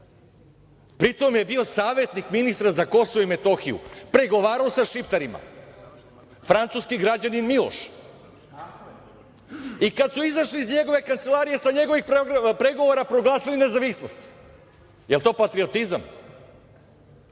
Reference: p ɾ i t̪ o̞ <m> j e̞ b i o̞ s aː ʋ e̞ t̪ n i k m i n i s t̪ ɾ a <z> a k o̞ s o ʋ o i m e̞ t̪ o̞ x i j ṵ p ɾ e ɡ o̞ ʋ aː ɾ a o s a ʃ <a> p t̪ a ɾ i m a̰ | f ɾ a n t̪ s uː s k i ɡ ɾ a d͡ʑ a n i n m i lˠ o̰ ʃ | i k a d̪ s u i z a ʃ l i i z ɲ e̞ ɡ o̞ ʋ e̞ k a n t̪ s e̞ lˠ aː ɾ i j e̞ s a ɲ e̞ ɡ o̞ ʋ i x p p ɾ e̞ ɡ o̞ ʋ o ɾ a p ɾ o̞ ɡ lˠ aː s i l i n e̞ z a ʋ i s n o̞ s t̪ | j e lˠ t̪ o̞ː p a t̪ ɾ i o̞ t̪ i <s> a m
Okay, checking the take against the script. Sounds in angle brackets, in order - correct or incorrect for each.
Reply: correct, correct, incorrect, incorrect

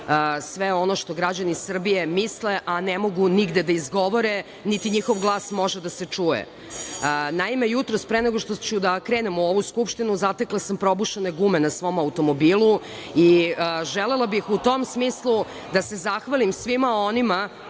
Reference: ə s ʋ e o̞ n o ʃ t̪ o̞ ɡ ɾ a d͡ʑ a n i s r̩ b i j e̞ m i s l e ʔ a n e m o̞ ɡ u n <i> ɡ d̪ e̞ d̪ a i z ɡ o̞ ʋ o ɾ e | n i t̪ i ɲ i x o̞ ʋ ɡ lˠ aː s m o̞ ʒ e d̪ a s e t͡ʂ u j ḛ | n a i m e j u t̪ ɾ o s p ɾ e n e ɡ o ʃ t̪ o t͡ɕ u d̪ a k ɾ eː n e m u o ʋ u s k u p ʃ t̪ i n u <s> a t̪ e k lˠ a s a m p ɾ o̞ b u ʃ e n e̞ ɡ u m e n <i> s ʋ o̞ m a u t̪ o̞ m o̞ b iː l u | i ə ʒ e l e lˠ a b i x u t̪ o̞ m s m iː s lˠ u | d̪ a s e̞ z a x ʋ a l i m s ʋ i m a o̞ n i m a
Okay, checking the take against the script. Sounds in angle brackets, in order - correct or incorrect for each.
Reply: correct, incorrect, incorrect

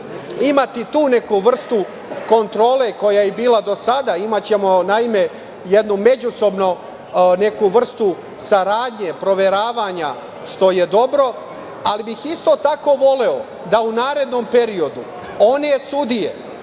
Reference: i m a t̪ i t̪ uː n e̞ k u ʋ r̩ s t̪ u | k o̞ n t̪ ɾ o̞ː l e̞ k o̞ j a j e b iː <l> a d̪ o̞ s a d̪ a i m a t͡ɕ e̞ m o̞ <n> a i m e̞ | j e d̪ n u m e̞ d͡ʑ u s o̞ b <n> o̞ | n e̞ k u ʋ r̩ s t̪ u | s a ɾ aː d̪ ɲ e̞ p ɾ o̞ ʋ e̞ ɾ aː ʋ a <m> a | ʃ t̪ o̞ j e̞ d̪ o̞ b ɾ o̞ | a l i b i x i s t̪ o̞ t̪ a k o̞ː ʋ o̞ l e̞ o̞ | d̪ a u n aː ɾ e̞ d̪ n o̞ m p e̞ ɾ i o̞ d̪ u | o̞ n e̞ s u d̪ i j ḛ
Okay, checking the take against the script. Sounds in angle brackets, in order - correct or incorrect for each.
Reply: correct, correct, correct, incorrect

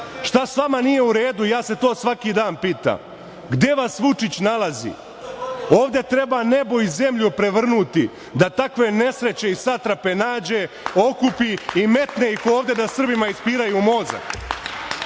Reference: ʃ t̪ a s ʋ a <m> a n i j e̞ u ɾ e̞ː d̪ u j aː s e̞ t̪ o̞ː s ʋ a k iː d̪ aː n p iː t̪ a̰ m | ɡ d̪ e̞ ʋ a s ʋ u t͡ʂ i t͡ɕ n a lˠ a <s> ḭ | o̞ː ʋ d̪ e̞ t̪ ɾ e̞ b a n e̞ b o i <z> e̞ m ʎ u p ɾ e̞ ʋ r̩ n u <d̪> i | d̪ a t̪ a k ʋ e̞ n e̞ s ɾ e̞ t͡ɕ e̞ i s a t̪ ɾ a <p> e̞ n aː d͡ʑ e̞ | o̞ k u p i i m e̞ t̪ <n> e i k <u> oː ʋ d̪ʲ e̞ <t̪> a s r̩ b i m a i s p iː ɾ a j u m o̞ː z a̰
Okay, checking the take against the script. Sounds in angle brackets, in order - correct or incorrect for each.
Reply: correct, incorrect, correct, incorrect, correct, correct, incorrect, incorrect

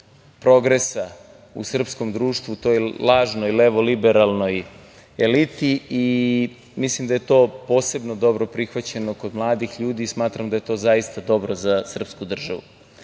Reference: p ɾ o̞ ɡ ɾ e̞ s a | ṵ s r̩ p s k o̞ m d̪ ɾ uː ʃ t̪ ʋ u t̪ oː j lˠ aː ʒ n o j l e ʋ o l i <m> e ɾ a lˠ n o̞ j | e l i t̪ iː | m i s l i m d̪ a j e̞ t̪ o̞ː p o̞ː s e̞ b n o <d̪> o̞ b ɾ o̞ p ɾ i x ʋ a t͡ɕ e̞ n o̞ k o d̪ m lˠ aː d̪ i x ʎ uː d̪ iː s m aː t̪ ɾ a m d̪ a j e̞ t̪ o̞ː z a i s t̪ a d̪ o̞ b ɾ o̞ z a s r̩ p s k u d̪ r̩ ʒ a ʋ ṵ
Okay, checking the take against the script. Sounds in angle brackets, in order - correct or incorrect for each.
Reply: incorrect, correct

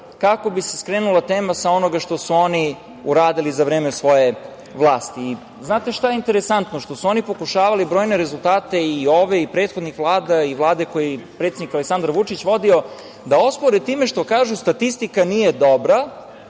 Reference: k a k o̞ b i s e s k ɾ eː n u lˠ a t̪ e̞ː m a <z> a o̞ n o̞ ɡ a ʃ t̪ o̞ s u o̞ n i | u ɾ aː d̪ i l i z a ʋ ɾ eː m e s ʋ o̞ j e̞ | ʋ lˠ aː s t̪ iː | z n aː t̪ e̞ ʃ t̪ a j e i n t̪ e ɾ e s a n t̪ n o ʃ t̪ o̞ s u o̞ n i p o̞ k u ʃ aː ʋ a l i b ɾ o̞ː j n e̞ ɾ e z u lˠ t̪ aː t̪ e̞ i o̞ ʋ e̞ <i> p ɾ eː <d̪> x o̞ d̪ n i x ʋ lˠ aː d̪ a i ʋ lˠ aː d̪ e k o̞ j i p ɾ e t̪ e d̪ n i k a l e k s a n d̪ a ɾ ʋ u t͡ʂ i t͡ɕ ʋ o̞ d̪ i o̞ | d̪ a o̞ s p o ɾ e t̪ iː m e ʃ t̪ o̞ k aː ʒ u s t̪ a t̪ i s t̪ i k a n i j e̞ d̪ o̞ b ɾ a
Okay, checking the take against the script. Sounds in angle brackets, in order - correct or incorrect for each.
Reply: incorrect, correct, incorrect

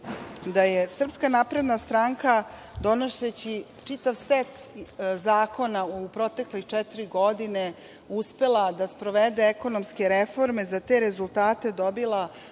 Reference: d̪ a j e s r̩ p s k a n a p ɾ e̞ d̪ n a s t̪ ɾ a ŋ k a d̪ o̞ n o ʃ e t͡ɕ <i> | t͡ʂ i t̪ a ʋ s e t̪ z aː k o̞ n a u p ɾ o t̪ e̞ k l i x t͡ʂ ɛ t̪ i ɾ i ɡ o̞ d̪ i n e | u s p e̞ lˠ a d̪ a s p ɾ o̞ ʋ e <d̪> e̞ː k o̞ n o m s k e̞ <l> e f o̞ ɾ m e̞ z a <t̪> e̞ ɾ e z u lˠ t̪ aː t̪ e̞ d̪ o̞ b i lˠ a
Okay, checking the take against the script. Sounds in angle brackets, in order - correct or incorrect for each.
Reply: correct, correct, incorrect, correct

